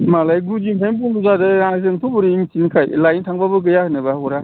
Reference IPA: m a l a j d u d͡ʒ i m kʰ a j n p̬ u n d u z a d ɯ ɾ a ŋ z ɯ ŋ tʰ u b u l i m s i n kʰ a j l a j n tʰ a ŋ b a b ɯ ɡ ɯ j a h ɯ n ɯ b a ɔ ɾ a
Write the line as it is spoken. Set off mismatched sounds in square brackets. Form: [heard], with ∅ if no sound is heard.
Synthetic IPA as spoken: m a l a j [ɡ] u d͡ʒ i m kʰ a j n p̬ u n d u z a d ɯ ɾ a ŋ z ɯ ŋ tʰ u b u [ɾ] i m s i n kʰ a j l a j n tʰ a ŋ b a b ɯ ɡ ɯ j a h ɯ n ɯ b a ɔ ɾ a